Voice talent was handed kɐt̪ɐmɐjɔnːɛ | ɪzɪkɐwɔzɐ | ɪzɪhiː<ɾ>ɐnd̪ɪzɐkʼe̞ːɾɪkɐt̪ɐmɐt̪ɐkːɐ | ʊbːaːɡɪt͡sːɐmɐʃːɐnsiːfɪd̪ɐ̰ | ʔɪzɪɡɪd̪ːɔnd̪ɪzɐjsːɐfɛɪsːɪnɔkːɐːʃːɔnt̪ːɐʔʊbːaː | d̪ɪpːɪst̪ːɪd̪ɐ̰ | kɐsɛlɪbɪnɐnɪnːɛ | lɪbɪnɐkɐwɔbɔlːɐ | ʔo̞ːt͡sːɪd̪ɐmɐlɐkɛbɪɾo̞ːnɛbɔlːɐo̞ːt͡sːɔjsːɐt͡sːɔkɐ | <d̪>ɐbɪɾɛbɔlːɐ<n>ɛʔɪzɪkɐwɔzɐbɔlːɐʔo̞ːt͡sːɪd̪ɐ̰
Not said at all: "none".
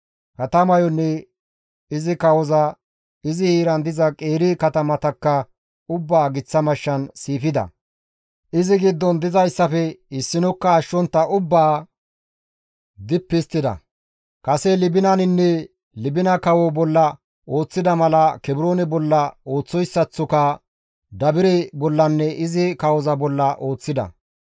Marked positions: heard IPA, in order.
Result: ɾ, d̪, nː

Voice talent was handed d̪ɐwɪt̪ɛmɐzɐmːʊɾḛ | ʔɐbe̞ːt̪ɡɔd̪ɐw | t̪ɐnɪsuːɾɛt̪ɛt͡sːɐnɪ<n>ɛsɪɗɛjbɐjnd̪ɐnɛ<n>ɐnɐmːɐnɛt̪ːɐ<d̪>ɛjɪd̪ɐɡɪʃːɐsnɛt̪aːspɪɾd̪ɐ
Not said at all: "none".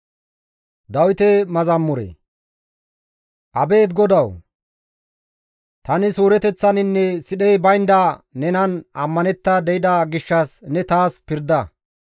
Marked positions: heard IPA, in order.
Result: nː, n, d̪

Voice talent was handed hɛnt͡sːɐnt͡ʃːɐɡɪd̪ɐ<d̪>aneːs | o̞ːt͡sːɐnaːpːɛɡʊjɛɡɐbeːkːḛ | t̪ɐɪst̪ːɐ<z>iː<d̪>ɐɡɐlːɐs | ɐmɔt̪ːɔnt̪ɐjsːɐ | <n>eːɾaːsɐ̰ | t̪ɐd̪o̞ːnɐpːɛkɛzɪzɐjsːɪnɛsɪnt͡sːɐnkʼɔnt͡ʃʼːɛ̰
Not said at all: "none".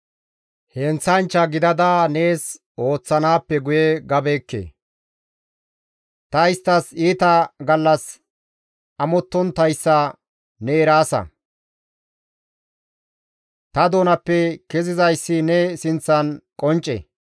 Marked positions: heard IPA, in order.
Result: d̪, s, t̪, n

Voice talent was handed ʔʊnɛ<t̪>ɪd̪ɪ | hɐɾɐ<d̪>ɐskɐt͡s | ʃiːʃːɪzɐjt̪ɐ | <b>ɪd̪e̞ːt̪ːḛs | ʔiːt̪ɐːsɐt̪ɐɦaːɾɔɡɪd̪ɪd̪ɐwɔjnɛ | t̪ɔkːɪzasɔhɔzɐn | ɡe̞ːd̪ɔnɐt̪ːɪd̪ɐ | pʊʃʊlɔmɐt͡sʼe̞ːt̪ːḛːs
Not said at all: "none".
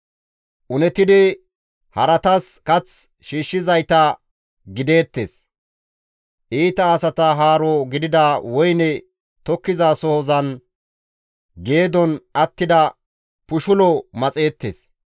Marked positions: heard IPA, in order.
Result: t̪, t̪, ɡ

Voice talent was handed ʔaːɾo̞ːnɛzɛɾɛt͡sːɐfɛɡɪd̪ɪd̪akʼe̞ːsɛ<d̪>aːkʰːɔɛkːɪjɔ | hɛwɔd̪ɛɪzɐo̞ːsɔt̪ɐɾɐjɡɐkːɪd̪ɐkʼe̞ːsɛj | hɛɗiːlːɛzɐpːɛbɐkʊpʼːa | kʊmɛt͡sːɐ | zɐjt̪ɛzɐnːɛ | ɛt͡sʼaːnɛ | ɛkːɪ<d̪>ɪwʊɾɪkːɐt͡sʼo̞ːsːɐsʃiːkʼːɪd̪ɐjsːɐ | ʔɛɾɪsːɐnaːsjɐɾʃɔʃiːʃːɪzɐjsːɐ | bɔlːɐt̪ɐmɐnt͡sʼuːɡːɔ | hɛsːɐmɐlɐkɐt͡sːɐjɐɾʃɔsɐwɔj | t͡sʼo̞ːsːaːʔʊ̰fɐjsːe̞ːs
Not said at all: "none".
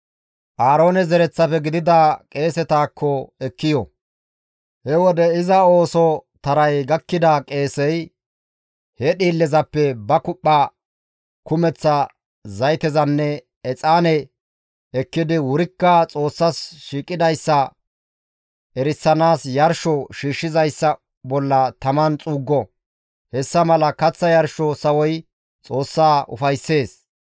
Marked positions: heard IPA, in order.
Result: t̪, d̪

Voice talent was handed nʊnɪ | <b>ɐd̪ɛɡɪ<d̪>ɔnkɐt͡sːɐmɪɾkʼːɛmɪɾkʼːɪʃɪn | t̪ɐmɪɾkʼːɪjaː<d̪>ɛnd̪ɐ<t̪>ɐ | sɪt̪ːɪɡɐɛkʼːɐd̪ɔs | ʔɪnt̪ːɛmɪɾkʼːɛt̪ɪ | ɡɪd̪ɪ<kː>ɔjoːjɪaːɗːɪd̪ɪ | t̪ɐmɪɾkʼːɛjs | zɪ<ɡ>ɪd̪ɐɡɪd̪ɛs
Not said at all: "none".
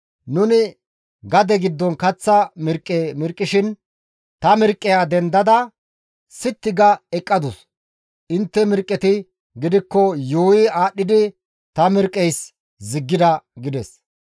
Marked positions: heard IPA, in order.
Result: ɡ, d̪ː, d̪, d̪, kː, ɡː

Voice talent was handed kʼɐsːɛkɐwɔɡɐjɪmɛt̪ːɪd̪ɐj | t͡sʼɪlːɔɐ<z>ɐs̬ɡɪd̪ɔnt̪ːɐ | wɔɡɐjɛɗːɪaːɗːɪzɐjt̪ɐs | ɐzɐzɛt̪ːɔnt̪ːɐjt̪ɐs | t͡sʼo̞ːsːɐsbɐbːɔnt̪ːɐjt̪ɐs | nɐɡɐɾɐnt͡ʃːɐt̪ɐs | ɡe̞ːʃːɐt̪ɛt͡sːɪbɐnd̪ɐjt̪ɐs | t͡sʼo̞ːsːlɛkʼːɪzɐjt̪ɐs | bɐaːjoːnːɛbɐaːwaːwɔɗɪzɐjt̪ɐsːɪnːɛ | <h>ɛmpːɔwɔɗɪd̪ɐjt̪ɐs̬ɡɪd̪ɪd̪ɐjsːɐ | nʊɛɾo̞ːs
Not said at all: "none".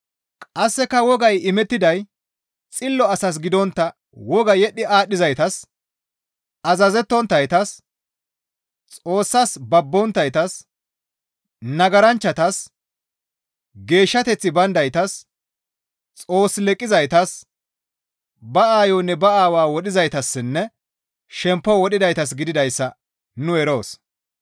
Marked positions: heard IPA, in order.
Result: s, ʃ

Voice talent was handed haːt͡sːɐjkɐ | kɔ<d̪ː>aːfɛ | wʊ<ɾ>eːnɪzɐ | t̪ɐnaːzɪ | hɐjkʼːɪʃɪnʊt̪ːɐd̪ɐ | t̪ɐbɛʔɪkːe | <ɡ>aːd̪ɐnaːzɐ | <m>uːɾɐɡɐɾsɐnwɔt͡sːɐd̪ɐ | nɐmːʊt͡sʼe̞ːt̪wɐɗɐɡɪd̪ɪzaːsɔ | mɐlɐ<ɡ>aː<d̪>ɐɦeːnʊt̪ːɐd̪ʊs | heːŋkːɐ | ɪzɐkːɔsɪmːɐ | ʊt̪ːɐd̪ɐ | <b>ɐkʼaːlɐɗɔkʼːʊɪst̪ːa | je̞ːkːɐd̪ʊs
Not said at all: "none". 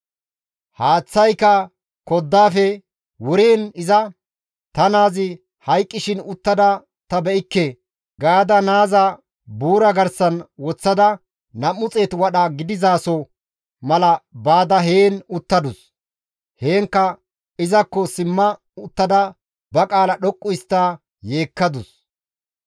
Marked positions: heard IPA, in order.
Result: d̪ː, ɾ, ɡ, b, b, d̪, b

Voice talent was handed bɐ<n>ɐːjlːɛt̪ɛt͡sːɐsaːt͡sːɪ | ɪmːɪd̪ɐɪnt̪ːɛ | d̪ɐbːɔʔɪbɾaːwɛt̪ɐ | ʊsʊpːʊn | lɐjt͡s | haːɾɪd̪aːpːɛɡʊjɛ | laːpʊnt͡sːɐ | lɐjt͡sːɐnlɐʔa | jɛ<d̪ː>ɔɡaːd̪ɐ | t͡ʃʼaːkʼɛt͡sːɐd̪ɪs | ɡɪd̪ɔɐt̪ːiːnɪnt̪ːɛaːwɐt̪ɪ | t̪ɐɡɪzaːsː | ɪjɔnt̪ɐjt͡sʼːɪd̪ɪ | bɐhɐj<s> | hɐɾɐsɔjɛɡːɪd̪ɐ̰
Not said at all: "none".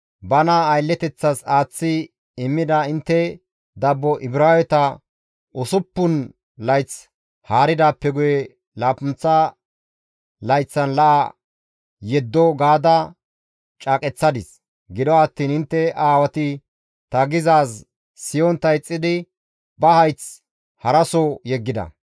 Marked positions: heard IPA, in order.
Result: n, d̪ː, t͡s

